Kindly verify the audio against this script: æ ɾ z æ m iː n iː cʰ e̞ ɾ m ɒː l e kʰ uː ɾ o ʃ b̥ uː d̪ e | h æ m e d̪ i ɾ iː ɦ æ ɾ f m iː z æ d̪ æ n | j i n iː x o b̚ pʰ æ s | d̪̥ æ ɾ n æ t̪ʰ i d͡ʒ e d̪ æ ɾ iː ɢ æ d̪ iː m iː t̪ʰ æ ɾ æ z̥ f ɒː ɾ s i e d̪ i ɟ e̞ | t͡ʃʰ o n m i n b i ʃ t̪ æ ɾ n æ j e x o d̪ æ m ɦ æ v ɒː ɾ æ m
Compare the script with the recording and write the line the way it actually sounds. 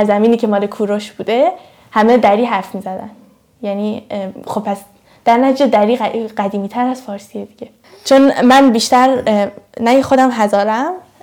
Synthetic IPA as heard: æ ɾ z æ m iː n iː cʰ e̞ m ɒː l e kʰ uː ɾ o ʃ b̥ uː d̪ e | h æ m e d̪ æ ɾ iː ɦ æ ɾ f m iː z æ d̪ æ n | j æ n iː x o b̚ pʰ æ s | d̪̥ æ ɾ n æ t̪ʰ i d͡ʒ e d̪ æ ɾ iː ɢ æ d̪ iː m iː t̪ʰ æ ɾ æ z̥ f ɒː ɾ s i e d̪ i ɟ e̞ | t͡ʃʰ o n m æ n b i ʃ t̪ æ ɾ n æ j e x o d̪ æ m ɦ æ z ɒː ɾ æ m